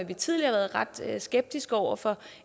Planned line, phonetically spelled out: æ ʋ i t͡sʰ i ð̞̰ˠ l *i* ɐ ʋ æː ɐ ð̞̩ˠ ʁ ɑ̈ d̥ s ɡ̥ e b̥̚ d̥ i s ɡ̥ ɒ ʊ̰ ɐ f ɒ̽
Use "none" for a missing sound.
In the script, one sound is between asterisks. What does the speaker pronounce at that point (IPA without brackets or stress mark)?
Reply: i